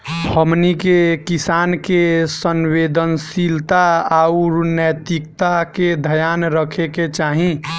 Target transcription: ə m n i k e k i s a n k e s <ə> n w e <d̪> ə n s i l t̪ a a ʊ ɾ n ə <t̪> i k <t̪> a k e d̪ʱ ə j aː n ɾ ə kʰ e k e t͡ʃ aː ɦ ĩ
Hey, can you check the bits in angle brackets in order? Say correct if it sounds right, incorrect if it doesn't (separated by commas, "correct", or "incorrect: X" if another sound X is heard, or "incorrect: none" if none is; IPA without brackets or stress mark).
correct, correct, correct, correct